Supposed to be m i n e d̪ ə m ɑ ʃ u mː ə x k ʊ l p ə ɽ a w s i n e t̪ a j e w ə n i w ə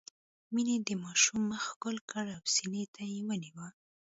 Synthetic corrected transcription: m i n e d̪ ə m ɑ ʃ u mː ə x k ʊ l k ə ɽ a w s i n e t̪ a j e w ə n i w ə

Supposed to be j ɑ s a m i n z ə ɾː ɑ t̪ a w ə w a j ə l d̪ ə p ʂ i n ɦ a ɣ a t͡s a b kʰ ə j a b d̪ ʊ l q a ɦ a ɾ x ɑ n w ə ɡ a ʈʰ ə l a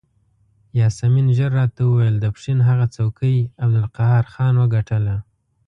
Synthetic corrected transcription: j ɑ s a m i n ʒ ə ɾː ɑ t̪ a w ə w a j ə l d̪ ə p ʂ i n ɦ a ɣ a t͡s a w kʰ ə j a b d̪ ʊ l q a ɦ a ɾ x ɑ n w ə ɡ a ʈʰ ə l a

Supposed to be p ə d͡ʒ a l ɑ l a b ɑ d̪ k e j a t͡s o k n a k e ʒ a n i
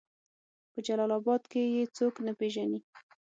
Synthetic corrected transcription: p ə d͡ʒ a l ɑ l ɑ b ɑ d̪ k e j e t͡s o k n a p e ʒ a n i

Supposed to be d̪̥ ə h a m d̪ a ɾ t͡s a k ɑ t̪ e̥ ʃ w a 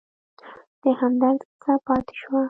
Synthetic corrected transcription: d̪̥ ə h a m d̪ a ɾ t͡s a p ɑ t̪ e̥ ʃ w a

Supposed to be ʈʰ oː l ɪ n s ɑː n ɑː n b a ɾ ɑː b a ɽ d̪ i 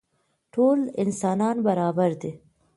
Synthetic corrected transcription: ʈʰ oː l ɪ n s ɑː n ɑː n b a ɾ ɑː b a ɾ d̪ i

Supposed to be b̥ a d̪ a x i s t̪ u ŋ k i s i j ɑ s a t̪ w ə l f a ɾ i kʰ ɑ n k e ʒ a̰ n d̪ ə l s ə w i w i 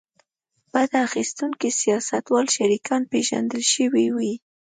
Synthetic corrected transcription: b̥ a d̪ a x i s t̪ u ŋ k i s i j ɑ s a t̪ w ɑ l ʃ a ɾ i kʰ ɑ n p e ʒ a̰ n d̪ ə l ʃ ə w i w i

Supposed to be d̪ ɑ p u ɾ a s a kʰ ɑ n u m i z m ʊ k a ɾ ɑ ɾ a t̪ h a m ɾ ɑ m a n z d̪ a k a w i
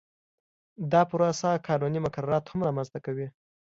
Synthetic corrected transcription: d̪ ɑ p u ɾ a s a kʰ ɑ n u n i m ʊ k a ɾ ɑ ɾ ɑ t̪ h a m ɾ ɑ m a n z t̪ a k a w i

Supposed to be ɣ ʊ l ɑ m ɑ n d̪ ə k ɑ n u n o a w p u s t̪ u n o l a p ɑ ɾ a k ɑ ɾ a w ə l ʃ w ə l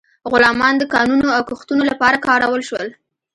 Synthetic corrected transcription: ɣ ʊ l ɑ m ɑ n d̪ ə k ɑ n u n o a w k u x t̪ u n o l a p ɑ ɾ a k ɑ ɾ a w ə l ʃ w ə l

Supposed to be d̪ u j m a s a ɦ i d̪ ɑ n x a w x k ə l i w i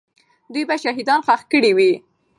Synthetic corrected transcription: d̪ u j b a ʃ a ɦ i d̪ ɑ n x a x k ə ɽ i w i

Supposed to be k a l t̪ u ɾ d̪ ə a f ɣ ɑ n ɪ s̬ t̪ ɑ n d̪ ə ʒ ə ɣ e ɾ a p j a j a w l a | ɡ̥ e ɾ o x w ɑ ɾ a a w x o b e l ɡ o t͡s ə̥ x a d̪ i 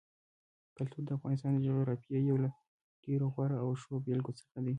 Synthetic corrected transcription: k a l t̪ u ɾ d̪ ə a f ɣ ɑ n ɪ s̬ t̪ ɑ n d̪ ə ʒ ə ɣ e ɾ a p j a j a w l a | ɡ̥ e ɾ o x w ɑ ɾ a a w ʃ o b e l ɡ o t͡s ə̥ x a d̪ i

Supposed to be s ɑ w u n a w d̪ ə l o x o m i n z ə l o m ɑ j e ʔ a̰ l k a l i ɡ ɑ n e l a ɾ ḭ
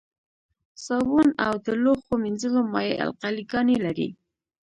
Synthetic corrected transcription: s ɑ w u n a w d̪ ə l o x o m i n z ə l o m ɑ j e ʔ a̰ l q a l i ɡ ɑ n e l a ɾ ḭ

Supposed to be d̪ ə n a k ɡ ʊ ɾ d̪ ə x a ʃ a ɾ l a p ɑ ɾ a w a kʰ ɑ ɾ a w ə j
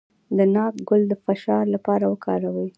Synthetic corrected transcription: d̪ ə n ɑ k ɡ ʊ l d̪ ə f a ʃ ɑ ɾ l a p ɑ ɾ a w ə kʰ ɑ ɾ a w ə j

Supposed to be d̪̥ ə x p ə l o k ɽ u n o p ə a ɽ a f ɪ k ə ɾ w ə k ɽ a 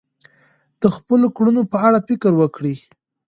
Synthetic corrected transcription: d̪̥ ə x p ə l o k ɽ u n o p ə a ɽ a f ɪ k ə ɾ w ə k ɽ i

